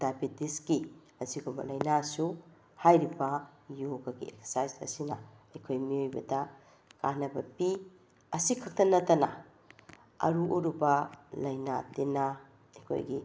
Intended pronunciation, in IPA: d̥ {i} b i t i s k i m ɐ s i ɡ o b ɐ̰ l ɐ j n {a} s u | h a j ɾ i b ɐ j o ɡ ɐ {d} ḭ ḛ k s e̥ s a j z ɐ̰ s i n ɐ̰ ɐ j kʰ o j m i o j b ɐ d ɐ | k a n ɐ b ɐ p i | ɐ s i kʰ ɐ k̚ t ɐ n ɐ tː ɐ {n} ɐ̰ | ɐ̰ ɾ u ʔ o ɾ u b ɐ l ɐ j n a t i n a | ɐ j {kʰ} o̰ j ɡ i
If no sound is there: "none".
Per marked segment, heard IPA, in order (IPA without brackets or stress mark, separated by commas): a, a, ɡ, n, kʰ